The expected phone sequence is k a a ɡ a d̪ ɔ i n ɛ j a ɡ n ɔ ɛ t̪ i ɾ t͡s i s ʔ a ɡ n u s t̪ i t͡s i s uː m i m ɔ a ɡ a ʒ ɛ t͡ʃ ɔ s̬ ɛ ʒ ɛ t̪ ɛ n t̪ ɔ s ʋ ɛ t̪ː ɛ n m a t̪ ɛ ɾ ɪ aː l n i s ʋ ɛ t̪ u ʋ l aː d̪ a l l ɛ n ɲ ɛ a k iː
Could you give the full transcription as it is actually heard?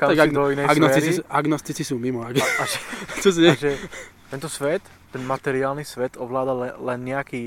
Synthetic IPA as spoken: k a a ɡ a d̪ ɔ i n ɛ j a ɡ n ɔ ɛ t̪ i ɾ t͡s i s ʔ a ɡ n ɔ s t̪ i t͡s i s uː m i m ɔ a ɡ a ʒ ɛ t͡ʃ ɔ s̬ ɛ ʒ ɛ t̪ ɛ n t̪ ɔ s ʋ ɛ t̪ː ɛ n m a t̪ ɛ ɾ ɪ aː l n i s ʋ ɛ t̪ ɔ ʋ l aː d̪ a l l ɛ n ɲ ɛ a k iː